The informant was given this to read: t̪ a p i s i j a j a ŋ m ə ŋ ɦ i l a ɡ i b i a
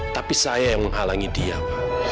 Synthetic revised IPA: t̪ a p i s a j a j a ŋ m ə ŋ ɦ a l a ŋ i d i a